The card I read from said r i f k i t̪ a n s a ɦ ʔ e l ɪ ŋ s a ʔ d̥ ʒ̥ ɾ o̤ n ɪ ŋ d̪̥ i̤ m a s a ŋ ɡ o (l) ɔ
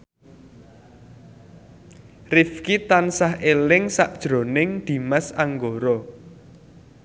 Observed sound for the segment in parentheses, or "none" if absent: ɾ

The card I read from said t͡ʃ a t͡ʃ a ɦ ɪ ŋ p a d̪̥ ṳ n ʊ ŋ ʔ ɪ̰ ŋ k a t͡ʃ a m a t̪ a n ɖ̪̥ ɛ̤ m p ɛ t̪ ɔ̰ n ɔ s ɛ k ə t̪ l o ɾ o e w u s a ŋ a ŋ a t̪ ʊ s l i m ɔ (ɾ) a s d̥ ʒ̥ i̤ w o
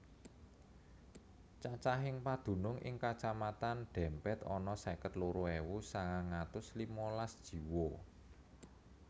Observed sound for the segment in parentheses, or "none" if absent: l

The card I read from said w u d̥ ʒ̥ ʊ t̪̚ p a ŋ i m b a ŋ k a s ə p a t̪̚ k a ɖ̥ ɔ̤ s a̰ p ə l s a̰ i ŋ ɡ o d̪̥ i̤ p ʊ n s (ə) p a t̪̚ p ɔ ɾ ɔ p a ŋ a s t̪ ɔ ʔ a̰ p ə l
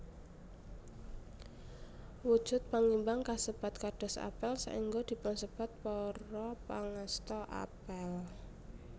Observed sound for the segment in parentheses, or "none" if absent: ə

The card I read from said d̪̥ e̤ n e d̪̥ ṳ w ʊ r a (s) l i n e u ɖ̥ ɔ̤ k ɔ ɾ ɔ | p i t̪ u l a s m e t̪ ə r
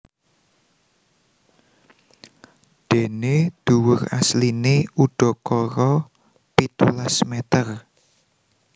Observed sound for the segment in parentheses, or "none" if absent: s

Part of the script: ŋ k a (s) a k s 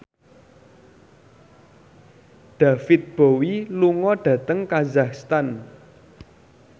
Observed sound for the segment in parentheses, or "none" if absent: z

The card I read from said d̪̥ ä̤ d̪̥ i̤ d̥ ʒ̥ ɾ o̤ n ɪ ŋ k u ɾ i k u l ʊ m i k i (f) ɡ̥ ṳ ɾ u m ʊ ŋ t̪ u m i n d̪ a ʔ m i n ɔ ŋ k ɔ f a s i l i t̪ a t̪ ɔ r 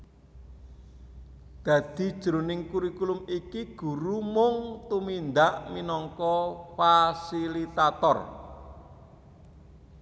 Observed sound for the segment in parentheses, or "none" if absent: none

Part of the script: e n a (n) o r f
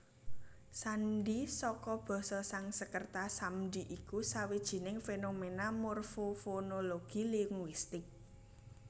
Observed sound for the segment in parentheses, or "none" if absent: m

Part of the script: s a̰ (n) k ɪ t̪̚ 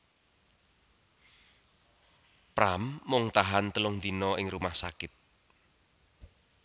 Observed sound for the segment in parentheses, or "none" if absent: none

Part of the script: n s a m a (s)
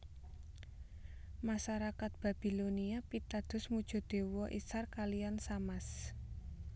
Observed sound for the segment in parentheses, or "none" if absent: s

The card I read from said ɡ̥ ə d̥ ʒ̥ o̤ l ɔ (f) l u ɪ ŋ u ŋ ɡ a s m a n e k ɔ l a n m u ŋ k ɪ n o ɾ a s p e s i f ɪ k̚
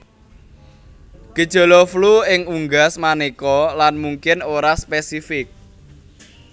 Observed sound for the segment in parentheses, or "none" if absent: f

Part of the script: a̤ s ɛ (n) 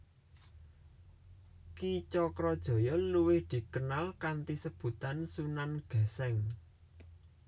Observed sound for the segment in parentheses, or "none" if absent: ŋ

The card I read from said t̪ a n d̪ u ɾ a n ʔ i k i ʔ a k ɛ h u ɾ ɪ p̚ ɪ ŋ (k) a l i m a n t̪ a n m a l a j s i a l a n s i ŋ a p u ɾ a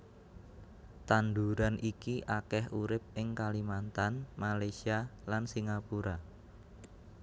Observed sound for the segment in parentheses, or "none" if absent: k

